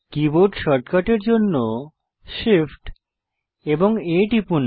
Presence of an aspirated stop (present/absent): absent